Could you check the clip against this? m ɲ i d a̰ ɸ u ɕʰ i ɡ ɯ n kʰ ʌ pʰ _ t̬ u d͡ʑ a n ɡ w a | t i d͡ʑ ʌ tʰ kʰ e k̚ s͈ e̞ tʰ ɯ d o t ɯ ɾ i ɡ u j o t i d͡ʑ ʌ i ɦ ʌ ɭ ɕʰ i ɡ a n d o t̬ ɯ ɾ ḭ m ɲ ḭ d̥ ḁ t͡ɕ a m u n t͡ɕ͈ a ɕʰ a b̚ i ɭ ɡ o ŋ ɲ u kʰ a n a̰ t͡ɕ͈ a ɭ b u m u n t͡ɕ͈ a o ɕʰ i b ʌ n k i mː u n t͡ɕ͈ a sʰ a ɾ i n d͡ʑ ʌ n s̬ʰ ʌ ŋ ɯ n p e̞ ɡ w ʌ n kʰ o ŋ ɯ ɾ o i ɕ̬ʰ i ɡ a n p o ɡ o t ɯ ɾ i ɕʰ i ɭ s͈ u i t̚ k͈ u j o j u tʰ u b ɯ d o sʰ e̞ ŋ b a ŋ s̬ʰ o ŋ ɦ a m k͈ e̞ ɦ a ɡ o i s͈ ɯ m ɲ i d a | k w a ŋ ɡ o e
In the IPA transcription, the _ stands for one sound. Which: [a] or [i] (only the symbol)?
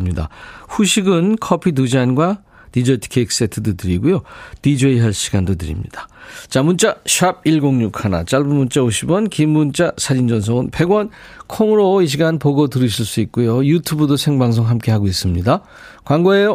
i